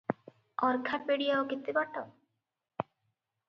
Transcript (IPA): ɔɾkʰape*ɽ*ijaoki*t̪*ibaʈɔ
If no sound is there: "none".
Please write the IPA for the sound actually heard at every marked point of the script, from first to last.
ɽ, t̪

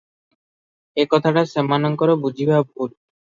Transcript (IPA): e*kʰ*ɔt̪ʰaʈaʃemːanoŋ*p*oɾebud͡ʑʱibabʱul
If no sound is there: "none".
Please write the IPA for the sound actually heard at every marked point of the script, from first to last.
k, k

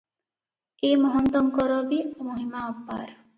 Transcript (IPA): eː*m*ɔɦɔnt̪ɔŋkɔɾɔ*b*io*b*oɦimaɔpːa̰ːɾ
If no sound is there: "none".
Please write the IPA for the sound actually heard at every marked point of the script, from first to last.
m, b, m

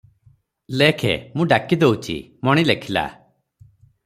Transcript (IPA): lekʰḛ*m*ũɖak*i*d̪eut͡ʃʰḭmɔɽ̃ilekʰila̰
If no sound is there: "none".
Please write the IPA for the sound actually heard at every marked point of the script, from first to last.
m, i

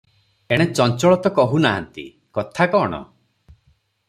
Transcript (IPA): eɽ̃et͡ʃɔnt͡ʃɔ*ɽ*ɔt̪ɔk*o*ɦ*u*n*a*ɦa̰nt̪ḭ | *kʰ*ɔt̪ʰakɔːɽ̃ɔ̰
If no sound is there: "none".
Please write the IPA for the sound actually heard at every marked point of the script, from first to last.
ɭ, ɔ, u, a, k

